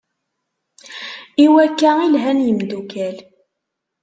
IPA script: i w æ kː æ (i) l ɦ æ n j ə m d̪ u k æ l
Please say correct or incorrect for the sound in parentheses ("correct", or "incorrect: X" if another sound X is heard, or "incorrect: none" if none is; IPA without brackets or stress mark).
correct